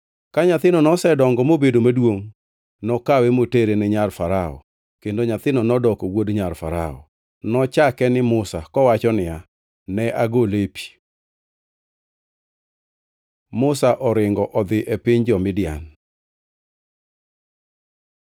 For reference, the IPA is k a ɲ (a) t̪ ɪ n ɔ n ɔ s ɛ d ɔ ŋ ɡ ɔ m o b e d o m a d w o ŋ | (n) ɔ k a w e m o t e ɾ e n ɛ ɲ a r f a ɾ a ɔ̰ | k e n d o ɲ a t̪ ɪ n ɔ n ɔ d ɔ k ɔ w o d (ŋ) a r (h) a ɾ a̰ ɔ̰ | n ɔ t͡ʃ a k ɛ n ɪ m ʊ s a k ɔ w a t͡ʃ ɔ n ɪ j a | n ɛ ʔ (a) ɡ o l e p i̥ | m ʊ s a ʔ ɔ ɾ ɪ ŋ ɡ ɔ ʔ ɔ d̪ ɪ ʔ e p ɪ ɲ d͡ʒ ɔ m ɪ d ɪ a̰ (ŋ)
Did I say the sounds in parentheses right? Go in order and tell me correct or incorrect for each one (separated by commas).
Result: correct, correct, incorrect, incorrect, correct, incorrect